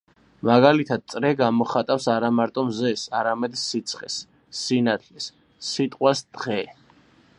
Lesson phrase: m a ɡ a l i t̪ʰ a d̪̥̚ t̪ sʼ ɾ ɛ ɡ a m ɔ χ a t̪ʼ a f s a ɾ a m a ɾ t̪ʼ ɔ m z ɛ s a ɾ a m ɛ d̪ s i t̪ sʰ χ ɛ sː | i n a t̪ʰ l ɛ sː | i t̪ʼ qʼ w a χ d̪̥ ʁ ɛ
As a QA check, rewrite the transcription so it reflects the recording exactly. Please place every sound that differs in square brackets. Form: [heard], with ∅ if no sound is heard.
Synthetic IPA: m a ɡ a l i t̪ʰ a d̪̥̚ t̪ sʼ ɾ ɛ ɡ a m ɔ χ a t̪ʼ a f s a ɾ a m a ɾ t̪ʼ ɔ m z ɛ s a ɾ a m ɛ d̪ s i t̪ sʰ χ ɛ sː | i n a t̪ʰ l ɛ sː | i t̪ʼ qʼ w a [s] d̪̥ ʁ ɛ